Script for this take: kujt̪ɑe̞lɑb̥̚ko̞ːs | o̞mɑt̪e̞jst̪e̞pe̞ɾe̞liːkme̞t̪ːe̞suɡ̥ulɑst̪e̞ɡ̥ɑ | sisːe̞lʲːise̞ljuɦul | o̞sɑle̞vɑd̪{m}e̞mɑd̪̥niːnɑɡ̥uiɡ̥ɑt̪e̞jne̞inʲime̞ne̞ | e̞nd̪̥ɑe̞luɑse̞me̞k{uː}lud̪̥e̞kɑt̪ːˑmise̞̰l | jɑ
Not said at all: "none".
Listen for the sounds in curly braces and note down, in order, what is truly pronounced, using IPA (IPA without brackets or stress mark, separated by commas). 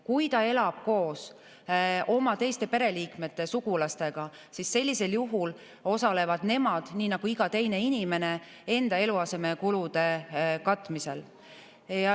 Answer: n, u